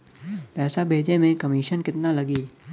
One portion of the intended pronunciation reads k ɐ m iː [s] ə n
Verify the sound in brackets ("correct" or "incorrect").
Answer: incorrect